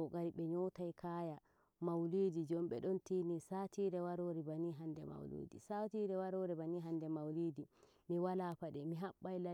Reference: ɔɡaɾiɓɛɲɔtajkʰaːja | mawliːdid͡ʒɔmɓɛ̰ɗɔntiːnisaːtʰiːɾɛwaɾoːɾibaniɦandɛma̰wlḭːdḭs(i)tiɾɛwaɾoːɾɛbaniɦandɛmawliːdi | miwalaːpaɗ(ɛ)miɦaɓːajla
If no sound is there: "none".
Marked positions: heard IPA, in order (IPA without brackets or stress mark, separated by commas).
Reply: a, ɛ